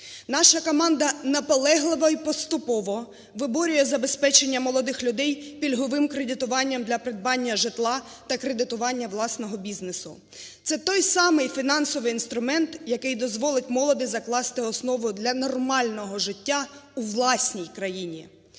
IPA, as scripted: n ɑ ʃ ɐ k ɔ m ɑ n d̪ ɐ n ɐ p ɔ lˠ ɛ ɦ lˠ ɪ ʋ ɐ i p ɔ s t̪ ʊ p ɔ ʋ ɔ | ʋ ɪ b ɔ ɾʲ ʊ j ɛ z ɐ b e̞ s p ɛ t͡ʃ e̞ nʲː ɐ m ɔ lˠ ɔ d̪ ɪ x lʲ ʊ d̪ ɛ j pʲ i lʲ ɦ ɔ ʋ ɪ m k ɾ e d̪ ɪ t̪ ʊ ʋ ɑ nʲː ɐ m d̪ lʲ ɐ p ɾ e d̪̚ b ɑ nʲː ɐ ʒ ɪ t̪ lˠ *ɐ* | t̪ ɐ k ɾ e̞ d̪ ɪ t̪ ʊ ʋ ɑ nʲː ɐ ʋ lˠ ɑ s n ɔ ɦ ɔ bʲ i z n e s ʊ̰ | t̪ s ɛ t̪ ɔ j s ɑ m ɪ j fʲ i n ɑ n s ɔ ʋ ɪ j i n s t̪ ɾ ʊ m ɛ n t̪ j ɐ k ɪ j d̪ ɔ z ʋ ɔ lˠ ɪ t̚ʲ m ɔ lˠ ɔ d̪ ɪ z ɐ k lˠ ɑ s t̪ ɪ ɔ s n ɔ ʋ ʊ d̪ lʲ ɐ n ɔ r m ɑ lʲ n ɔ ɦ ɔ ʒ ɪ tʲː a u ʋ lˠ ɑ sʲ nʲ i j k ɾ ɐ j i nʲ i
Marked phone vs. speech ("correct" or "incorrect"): incorrect